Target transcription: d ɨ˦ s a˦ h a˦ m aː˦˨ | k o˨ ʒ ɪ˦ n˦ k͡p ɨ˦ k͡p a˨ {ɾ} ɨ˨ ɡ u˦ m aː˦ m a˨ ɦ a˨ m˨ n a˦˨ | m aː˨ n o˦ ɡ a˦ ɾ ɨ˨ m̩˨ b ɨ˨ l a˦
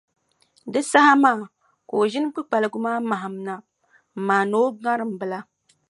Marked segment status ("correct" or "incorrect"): incorrect